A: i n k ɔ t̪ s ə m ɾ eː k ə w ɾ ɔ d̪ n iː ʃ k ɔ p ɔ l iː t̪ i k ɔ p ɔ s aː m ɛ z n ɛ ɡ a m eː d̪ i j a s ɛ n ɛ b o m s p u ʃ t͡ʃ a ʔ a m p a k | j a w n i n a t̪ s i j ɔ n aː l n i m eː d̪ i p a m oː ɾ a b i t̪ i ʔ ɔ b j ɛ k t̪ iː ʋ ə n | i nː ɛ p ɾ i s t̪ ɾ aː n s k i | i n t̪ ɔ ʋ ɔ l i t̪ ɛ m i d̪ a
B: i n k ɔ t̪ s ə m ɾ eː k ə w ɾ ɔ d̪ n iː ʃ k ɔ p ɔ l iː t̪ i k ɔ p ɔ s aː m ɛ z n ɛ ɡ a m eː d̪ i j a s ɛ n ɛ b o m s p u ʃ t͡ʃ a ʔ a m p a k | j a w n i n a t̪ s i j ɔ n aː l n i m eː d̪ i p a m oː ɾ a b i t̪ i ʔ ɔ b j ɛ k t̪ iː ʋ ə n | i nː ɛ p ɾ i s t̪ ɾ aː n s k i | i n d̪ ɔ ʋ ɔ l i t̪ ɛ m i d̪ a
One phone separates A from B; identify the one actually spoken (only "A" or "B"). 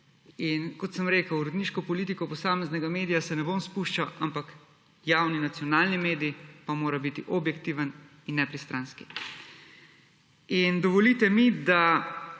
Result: B